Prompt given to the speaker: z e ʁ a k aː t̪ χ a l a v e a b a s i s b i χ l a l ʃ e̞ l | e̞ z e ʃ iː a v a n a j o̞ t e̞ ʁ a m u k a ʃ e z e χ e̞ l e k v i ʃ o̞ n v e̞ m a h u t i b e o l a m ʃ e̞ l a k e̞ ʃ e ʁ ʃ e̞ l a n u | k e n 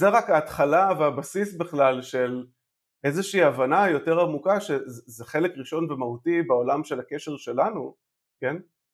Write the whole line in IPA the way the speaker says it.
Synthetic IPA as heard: z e ʁ a k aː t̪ χ a l a v e a b a s i s b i χ l a l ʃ e̞ l | e̞ z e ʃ iː a v a n a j o̞ t e̞ ʁ a m u k a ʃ e z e χ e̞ l e k ʁ i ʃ o̞ n v e̞ m a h u t i b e o l a m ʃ e̞ l a k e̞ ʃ e ʁ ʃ e̞ l a n u | k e n